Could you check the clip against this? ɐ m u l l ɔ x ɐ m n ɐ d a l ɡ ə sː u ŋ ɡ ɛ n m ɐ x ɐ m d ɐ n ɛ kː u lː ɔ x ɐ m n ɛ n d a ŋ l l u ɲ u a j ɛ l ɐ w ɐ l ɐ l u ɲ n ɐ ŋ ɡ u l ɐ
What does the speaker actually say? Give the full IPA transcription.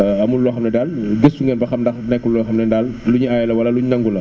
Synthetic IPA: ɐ m u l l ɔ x ɐ m n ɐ d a l ɡ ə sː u ŋ ɡ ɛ n b ɐ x ɐ m d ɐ n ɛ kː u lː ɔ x ɐ m n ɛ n d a l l u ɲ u a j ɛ l ɐ w ɐ l ɐ l u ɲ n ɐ ŋ ɡ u l ɐ